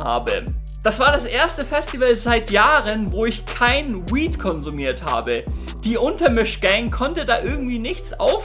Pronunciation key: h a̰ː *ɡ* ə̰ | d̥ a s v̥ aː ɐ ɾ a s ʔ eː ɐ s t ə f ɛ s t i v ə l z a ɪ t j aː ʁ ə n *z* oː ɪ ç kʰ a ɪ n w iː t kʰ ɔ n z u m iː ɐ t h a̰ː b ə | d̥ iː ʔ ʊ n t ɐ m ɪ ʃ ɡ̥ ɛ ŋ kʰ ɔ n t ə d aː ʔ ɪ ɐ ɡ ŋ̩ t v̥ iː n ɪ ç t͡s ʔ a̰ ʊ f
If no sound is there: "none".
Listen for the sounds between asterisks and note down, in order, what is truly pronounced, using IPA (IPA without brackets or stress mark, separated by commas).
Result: b, v